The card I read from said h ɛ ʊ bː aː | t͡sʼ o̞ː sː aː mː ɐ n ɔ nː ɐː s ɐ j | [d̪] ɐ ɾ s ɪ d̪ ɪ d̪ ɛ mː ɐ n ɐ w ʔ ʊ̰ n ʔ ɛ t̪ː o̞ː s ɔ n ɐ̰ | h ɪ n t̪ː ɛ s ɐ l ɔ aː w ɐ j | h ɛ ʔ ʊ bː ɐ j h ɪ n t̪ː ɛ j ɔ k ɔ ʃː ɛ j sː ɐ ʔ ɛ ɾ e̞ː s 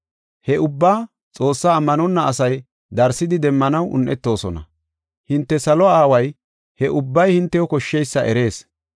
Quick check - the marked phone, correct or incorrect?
correct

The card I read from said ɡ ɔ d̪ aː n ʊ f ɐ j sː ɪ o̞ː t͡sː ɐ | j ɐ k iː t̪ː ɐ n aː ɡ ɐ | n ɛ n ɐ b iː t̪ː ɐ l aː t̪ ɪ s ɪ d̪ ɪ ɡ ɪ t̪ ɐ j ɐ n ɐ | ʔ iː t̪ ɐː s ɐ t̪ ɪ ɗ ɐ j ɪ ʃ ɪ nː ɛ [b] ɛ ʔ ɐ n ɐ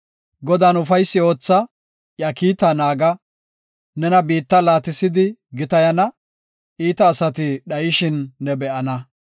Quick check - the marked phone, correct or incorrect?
correct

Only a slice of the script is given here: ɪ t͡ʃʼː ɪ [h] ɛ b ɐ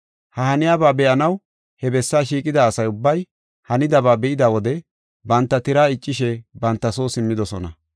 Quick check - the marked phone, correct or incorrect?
incorrect: ʃ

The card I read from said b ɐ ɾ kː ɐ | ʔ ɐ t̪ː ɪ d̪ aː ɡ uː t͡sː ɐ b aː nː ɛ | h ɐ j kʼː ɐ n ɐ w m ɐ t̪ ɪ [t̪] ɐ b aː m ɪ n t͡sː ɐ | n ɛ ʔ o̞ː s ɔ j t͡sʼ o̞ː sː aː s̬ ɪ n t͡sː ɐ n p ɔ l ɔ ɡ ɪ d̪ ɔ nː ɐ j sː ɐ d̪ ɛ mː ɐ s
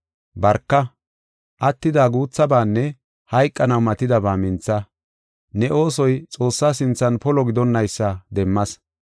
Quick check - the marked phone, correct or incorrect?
incorrect: d̪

